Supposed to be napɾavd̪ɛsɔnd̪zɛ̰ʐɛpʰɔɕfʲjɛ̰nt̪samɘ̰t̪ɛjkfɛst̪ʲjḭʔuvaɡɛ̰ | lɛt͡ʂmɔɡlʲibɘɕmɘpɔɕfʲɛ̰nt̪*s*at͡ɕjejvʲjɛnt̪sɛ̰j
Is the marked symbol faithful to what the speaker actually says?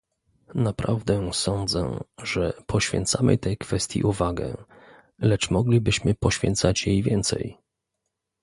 yes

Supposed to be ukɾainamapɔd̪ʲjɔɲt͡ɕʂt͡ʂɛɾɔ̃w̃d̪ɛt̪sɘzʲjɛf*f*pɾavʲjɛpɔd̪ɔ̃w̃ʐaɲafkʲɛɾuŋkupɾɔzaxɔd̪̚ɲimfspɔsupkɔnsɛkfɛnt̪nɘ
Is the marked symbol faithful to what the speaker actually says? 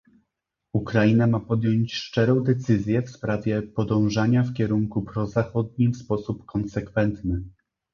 no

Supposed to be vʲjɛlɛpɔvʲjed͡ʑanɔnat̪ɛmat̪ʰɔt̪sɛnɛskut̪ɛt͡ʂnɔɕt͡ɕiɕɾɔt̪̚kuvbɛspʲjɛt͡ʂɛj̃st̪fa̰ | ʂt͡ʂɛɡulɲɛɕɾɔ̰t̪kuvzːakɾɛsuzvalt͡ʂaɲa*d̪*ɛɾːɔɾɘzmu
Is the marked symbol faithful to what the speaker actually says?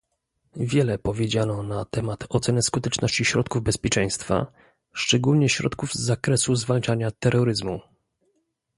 no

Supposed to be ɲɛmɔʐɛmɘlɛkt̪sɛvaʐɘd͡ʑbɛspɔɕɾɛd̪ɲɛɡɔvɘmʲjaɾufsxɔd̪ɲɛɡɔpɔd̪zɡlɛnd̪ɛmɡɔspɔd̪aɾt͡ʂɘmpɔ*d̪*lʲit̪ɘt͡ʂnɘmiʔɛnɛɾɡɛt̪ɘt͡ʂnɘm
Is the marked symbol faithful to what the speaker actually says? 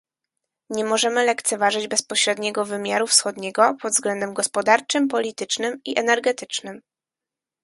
no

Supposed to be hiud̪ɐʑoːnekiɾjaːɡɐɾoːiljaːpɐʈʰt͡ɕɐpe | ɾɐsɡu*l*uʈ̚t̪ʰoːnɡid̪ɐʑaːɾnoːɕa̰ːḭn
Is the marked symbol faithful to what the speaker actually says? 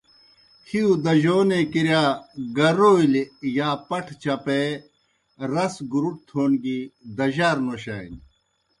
no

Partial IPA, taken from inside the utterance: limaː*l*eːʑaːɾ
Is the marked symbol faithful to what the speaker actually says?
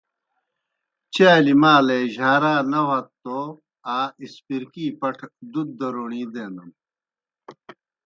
yes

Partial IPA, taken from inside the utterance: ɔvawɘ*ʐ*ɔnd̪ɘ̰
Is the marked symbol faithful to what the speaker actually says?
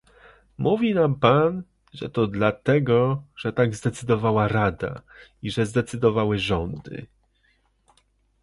yes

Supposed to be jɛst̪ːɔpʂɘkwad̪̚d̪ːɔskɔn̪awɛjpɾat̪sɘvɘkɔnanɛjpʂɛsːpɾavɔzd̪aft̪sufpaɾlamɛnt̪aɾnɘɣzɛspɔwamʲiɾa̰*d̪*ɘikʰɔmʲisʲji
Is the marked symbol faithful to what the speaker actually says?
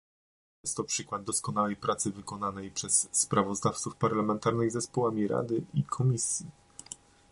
yes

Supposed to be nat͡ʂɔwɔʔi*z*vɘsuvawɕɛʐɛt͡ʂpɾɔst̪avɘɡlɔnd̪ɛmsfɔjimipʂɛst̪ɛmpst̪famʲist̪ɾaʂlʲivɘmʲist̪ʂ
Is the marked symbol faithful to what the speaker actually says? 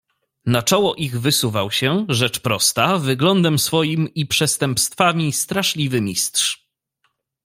no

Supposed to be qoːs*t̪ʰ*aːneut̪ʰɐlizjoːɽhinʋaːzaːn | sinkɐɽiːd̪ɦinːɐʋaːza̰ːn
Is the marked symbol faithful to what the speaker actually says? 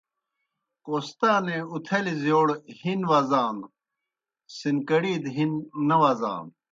no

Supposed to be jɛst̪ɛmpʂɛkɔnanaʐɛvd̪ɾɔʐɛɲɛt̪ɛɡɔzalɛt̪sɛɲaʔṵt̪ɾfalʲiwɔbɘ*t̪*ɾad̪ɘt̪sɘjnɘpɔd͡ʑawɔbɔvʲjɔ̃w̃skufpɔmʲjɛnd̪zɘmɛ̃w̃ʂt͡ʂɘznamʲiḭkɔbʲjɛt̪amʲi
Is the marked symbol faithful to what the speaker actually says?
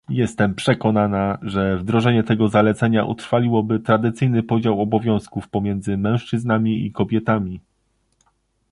yes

